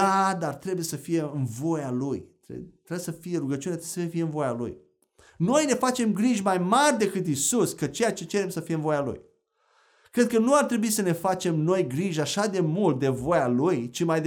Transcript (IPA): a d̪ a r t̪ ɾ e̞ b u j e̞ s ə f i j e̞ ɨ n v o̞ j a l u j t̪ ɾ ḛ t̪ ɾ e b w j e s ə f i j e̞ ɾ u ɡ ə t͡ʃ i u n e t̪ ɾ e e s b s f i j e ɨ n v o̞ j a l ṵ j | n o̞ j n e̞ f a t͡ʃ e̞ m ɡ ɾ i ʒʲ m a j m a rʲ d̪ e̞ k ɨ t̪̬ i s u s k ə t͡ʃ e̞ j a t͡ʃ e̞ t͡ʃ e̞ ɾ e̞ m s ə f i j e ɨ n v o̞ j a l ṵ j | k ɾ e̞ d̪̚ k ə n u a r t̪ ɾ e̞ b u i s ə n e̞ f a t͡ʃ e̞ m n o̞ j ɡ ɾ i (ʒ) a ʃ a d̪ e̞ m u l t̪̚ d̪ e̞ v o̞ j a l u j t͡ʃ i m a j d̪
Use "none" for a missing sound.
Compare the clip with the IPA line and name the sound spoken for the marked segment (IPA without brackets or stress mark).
ʒ